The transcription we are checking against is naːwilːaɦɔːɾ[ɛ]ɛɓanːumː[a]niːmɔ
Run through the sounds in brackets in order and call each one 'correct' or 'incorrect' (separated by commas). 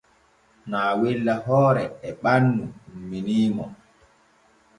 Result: correct, incorrect